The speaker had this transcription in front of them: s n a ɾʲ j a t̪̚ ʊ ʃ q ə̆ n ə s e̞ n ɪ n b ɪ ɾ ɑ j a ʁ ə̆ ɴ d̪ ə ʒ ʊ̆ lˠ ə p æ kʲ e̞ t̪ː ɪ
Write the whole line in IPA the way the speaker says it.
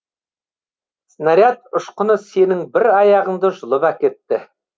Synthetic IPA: s n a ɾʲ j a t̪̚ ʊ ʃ q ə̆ n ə s e̞ n ɪ ŋ b ɪ ɾ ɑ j ɑ ʁ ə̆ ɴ d̪ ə ʒ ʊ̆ lˠ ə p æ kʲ e̞ t̪ː ɪ